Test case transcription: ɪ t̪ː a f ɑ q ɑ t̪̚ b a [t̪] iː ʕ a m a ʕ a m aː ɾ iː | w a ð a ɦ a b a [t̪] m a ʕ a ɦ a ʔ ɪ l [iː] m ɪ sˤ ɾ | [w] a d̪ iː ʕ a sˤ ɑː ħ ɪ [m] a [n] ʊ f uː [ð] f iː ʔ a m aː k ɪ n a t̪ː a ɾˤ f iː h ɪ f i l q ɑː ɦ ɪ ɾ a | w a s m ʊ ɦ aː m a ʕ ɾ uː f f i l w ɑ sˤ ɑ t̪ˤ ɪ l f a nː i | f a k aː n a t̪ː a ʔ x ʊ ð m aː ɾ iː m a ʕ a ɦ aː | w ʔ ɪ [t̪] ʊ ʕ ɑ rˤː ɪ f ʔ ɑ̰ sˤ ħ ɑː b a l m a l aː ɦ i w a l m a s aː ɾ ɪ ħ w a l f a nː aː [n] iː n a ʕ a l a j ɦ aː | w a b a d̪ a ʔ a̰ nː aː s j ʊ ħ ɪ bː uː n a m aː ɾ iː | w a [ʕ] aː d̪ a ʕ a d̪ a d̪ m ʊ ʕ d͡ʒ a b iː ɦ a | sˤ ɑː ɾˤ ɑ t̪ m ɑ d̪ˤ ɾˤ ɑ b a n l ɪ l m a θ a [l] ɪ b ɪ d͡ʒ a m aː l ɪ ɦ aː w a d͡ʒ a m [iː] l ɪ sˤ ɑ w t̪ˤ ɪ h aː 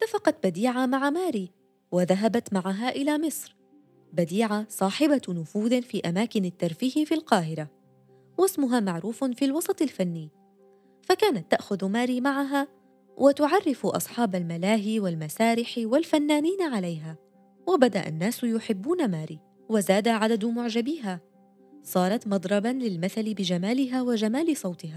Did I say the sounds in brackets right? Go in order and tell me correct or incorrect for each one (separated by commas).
incorrect, correct, incorrect, incorrect, incorrect, correct, correct, correct, correct, incorrect, correct, incorrect